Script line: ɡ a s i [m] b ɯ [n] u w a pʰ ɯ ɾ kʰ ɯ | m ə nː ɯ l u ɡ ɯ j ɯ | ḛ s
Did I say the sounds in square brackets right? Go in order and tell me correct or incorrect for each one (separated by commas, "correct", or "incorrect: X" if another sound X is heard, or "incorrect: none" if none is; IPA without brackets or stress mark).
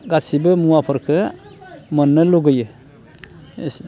incorrect: none, incorrect: m